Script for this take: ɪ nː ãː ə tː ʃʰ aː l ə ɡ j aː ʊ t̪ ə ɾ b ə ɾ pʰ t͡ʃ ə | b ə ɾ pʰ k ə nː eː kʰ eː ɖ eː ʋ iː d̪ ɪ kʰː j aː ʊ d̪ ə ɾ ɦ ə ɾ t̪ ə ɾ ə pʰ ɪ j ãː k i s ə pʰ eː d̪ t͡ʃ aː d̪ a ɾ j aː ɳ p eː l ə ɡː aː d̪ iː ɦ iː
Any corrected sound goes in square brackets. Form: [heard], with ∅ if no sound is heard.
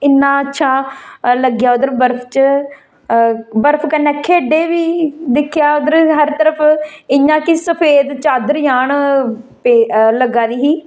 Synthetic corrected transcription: ɪ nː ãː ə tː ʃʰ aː l ə ɡ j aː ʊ [d̪] ə ɾ b ə ɾ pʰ t͡ʃ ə | b ə ɾ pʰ k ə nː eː kʰ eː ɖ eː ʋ iː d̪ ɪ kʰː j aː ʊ d̪ ə ɾ ɦ ə ɾ t̪ ə ɾ ə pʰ ɪ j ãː k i s ə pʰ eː d̪ t͡ʃ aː d̪ [ə] ɾ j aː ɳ p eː l ə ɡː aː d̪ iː ɦ iː

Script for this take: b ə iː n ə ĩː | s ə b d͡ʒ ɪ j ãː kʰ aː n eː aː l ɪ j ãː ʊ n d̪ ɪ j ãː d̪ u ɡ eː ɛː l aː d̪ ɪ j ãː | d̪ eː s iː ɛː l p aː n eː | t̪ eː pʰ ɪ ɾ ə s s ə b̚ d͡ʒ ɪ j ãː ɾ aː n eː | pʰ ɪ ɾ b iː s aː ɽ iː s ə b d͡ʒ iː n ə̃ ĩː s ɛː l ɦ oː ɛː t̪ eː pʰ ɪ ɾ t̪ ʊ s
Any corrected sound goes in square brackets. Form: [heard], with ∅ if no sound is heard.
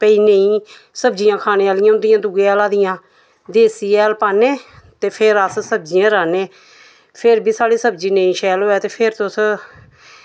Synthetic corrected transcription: [p] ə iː n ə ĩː | s ə b d͡ʒ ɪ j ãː kʰ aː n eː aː l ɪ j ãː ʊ n d̪ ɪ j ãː d̪ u ɡ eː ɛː l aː d̪ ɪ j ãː | d̪ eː s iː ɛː l p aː n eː | t̪ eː pʰ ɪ ɾ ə s s ə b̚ d͡ʒ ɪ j ãː ɾ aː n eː | pʰ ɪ ɾ b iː s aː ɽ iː s ə b d͡ʒ iː n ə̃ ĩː [ʃ] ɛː l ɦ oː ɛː t̪ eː pʰ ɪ ɾ t̪ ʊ s

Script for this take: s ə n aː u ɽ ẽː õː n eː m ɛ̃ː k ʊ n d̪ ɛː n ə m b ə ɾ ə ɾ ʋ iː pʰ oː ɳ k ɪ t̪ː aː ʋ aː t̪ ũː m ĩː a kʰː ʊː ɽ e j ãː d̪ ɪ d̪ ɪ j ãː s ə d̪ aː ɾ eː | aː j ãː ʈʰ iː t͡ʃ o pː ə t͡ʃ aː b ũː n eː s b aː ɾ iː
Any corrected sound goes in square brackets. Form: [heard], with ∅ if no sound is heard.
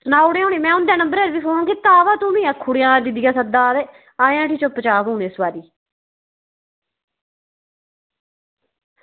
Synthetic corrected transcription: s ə n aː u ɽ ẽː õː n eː m ɛ̃ː [∅] ʊ n d̪ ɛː n ə m b ə ɾ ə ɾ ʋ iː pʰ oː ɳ k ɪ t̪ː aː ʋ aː t̪ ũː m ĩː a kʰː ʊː ɽ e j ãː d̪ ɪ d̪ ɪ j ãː s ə d̪ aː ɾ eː | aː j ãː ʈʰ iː t͡ʃ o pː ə t͡ʃ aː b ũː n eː s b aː ɾ iː

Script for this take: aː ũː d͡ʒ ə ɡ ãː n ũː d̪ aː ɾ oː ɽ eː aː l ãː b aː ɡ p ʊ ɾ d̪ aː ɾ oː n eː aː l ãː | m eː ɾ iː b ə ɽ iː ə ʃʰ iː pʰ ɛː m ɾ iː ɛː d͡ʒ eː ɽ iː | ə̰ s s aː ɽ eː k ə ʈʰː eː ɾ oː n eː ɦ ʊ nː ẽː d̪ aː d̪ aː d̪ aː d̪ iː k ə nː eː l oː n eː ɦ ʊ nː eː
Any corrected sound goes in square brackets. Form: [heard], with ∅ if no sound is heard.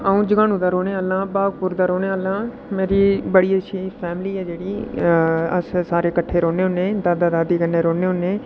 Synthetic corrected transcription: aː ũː d͡ʒ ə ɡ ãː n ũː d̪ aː ɾ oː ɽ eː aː l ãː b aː ɡ p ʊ ɾ d̪ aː ɾ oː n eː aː l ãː | m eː ɾ iː b ə ɽ iː ə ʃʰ iː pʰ ɛː m [l] iː ɛː d͡ʒ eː ɽ iː | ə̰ s s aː [ɾ] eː k ə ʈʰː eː ɾ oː n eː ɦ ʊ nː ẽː d̪ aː d̪ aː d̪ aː d̪ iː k ə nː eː [ɾ] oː n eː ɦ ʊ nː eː

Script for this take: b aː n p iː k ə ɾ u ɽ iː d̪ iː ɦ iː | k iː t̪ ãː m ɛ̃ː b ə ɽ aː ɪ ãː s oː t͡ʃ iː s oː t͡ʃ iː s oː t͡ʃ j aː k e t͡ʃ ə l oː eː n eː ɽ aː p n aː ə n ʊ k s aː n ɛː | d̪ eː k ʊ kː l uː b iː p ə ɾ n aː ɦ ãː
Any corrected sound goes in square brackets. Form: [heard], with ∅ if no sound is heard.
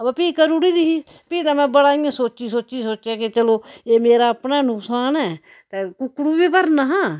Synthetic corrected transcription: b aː [∅] p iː k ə ɾ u ɽ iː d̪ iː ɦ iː | [p] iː t̪ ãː m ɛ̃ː b ə ɽ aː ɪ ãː s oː t͡ʃ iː s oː t͡ʃ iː s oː t͡ʃ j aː k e t͡ʃ ə l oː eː [m] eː [ɾ] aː p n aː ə n ʊ k s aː n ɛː | [t̪] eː k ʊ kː [ɽ] uː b iː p ə ɾ n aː ɦ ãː

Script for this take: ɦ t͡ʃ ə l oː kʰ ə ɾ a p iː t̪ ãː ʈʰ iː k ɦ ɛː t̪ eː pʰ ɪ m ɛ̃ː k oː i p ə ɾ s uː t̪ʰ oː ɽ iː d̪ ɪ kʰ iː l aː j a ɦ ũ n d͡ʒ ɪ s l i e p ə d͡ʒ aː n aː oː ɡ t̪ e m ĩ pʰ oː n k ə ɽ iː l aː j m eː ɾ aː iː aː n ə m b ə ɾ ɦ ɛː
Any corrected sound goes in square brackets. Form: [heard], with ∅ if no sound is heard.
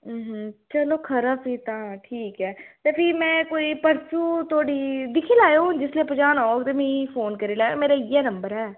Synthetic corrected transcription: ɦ t͡ʃ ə l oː kʰ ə ɾ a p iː t̪ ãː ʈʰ iː k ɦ ɛː t̪ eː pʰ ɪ m ɛ̃ː k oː i p ə ɾ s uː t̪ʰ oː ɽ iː d̪ ɪ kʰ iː l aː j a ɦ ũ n d͡ʒ ɪ s l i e p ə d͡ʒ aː n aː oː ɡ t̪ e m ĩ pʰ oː n k ə [ɾ] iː l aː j m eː ɾ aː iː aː n ə m b ə ɾ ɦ ɛː

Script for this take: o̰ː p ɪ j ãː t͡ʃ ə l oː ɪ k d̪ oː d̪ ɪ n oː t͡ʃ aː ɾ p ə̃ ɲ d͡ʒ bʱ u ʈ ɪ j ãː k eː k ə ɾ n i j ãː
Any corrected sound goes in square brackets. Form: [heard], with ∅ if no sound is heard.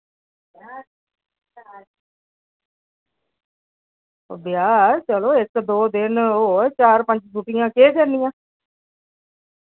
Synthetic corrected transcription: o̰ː [b] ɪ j [aː] t͡ʃ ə l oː ɪ k d̪ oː d̪ ɪ n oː t͡ʃ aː ɾ p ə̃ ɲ d͡ʒ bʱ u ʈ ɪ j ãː k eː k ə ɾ n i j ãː

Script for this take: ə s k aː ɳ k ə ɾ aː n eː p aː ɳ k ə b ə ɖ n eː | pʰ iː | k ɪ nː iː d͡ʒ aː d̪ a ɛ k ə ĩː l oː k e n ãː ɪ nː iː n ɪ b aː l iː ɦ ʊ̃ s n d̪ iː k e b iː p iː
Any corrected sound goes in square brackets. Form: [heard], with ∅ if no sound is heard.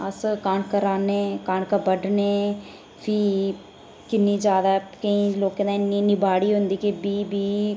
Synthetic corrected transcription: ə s k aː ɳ k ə ɾ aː n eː [k] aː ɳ k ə b ə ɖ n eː | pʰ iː | k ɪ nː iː d͡ʒ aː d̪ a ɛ k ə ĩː l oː k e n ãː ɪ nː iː n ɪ b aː [ɽ] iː ɦ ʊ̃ [∅] n d̪ iː k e b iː [b] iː

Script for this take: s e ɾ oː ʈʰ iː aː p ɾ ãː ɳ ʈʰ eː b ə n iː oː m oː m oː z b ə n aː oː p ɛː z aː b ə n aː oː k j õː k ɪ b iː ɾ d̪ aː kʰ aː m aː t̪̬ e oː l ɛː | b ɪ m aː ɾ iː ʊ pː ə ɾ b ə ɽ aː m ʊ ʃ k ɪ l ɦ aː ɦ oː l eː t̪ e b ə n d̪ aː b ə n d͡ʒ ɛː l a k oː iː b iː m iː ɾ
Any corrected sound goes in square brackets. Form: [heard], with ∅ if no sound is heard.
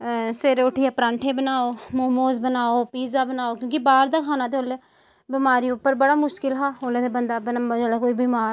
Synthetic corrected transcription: s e ɾ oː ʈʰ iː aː p ɾ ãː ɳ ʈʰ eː b ə n [aː] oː m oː m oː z b ə n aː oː p [iː] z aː b ə n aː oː k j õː k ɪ b [aː] ɾ d̪ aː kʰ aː [n] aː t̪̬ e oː l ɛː | b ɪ m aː ɾ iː ʊ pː ə ɾ b ə ɽ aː m ʊ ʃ k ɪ l ɦ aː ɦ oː l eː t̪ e b ə n d̪ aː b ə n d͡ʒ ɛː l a k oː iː b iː m [aː] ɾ

